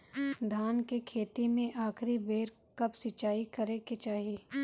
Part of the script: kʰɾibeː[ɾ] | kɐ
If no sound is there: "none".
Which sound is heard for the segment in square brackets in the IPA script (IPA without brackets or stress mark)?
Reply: ɾ